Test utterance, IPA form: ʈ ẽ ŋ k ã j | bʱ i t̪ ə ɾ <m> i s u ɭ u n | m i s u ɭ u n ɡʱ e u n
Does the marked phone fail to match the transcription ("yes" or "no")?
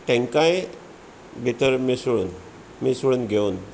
no